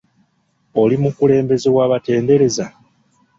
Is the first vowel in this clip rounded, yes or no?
yes